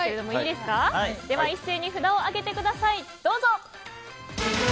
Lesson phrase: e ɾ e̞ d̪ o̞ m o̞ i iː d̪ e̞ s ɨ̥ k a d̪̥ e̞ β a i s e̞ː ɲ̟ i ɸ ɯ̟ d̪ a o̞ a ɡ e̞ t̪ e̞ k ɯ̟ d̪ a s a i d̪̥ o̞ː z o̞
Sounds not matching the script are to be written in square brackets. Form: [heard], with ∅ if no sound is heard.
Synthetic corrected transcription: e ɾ e̞ d̪ o̞ m o̞ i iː d̪ e̞ s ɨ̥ k a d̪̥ e̞ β a i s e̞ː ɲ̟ i ɸ ɯ̟ d̪ a o̞ a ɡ e̞ t̪ e̞ k ɯ̟ d̪ a s a i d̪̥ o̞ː z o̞